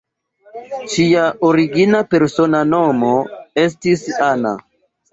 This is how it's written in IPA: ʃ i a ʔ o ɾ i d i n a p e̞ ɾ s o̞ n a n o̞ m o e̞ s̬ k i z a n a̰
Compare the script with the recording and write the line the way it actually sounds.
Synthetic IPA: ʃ i a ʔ o ɾ i ɡ i n a p e̞ ɾ s o̞ n a n o̞ m o e̞ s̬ t i s a n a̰